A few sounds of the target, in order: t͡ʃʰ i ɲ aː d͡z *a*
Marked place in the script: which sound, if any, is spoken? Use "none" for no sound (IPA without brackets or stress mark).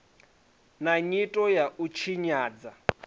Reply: a